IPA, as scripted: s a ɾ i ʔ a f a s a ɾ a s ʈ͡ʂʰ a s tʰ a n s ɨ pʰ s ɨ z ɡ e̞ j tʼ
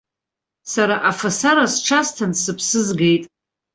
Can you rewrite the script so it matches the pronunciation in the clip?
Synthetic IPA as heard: s a ɾ a ʔ a f a s a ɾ a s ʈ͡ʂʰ a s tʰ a n s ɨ pʰ s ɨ z ɡ e̞ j tʼ